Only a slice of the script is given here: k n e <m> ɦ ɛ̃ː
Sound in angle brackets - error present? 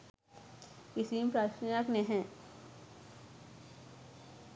yes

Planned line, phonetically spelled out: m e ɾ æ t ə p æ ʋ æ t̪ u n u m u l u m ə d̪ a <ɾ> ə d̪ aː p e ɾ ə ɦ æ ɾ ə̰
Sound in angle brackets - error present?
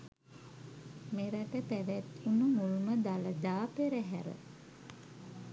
yes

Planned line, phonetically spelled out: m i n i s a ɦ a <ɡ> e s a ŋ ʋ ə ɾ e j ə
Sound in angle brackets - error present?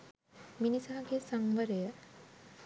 no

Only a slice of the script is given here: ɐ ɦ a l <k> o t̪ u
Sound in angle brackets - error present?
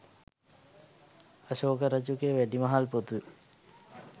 yes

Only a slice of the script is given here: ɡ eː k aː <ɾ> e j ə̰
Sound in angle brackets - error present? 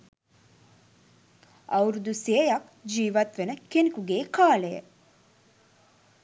yes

